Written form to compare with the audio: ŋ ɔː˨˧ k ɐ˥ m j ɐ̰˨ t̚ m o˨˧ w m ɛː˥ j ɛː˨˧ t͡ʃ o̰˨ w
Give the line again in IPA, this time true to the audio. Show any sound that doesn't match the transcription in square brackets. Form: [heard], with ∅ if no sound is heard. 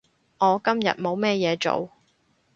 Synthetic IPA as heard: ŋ ɔː˨˧ k ɐ˥ m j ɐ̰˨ t̚ m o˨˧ w m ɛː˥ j ɛː˨˧ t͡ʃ o̰˨ w